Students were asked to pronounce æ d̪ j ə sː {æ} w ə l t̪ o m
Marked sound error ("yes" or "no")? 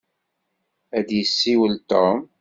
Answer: yes